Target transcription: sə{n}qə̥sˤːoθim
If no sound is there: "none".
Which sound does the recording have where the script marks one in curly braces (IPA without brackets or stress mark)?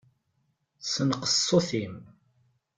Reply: n